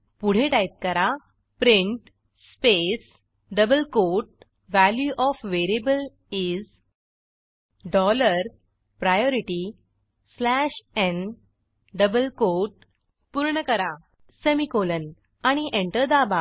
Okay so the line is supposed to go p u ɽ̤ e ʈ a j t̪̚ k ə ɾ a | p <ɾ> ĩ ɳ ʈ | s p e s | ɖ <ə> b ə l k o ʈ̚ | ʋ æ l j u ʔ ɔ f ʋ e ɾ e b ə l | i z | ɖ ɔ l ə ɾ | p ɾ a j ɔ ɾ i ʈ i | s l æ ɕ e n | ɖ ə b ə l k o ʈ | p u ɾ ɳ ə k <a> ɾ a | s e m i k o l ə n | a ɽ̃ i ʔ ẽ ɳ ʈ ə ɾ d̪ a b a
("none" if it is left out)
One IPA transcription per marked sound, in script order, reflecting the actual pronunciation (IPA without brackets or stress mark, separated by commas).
ɾ, ə, ə